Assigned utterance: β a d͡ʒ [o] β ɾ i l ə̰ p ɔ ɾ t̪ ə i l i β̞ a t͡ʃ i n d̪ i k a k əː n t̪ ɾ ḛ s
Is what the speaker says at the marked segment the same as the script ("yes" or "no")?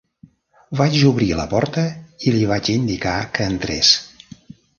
no